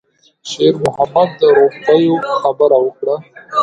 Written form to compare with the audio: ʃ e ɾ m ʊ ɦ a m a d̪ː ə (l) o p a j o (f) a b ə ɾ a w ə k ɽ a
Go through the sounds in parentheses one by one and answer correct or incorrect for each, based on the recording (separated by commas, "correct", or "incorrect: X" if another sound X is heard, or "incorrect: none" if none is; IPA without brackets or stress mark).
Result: incorrect: ɾ, incorrect: x